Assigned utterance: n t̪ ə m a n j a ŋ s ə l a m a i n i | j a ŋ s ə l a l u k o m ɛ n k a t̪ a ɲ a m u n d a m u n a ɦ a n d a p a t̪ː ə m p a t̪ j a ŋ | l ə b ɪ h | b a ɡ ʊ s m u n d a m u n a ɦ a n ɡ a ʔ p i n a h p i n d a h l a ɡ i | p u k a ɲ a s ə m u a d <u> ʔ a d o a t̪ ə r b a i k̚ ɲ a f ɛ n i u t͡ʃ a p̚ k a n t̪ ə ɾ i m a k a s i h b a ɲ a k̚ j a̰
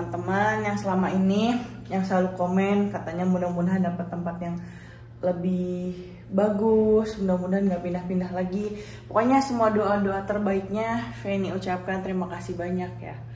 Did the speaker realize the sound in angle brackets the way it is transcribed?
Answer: no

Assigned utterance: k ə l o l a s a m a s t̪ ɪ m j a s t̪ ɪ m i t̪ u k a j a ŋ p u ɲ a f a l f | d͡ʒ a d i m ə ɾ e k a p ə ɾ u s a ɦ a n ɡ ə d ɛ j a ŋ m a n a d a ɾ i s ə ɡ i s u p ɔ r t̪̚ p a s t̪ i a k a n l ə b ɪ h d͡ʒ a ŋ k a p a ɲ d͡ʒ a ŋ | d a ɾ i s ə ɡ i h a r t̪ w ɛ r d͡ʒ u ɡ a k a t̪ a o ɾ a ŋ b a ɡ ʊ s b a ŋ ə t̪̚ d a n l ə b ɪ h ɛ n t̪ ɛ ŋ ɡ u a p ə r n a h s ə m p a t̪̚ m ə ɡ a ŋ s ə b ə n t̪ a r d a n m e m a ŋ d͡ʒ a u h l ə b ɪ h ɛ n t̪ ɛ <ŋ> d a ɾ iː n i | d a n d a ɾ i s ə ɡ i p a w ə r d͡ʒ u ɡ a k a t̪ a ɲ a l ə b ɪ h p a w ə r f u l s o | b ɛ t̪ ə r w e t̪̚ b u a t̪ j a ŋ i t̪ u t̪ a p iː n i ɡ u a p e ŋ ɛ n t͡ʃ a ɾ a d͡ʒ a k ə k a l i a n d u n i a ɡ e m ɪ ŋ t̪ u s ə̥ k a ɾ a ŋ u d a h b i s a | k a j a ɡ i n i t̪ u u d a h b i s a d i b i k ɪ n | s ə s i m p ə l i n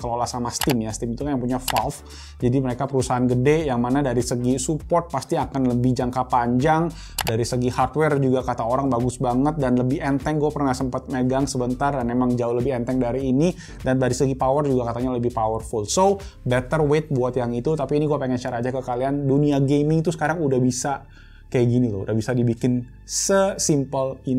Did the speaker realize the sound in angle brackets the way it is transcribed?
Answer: yes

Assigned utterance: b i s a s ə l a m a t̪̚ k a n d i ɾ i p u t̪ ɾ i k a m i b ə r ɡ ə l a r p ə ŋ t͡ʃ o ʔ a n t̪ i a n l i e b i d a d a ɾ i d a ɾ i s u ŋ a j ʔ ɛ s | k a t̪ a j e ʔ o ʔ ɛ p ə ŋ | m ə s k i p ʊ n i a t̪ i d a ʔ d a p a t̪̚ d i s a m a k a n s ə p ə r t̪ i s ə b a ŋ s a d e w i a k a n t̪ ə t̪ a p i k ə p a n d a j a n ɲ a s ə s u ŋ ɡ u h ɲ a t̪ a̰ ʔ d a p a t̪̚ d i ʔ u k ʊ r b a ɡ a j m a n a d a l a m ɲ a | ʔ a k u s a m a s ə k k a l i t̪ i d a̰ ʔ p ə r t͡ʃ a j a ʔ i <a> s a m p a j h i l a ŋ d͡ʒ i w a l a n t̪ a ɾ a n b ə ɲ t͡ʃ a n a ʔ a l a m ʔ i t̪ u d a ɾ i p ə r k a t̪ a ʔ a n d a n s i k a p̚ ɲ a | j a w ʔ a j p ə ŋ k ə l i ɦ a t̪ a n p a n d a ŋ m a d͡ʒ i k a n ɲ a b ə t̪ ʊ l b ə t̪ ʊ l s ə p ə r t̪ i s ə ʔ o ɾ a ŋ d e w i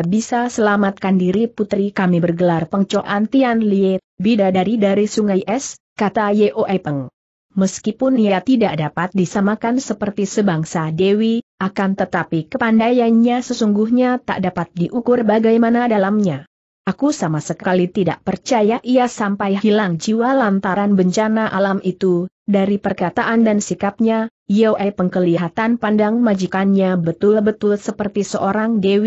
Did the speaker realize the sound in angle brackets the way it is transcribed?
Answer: yes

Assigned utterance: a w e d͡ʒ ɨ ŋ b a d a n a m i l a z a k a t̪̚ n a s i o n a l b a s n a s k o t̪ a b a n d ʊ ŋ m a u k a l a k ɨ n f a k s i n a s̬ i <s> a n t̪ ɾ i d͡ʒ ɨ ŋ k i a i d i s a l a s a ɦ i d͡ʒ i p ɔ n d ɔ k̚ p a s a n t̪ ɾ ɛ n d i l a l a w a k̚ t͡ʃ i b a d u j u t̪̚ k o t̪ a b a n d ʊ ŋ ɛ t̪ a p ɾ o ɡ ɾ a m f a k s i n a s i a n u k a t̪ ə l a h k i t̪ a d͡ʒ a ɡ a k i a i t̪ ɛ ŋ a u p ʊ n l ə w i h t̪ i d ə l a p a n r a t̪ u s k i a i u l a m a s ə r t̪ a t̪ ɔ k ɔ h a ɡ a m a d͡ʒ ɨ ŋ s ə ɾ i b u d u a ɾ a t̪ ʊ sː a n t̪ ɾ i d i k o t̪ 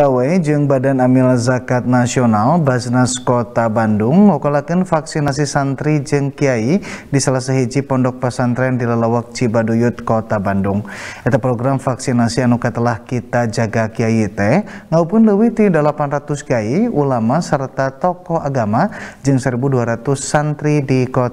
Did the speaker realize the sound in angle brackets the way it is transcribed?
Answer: yes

